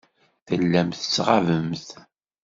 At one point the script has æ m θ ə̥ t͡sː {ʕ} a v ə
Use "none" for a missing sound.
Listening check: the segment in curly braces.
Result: ʁ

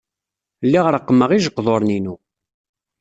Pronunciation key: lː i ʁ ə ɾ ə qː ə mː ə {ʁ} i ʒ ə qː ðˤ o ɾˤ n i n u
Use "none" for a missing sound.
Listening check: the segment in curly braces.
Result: ʁ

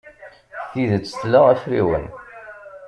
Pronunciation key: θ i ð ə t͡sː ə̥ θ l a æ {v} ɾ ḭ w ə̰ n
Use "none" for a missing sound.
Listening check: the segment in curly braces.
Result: f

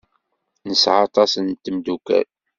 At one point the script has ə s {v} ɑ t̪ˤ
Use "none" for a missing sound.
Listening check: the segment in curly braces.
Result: ʕ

